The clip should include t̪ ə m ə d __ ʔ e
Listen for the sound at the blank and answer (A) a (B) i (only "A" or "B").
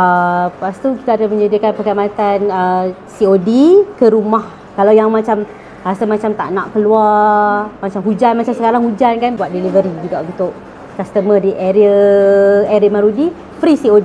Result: B